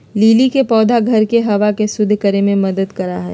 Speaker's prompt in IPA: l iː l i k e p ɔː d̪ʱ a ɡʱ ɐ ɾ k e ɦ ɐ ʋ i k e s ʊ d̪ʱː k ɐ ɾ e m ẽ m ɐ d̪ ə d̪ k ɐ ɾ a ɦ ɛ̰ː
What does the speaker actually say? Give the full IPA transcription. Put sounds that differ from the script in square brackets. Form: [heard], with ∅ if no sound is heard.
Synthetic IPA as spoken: l iː l i k e p ɔː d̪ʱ a ɡʱ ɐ ɾ k e ɦ ɐ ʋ [a] k e s ʊ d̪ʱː k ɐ ɾ e m ẽ m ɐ d̪ ə d̪ k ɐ ɾ a ɦ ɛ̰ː